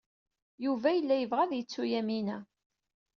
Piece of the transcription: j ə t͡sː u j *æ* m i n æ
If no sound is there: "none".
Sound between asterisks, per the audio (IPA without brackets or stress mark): æ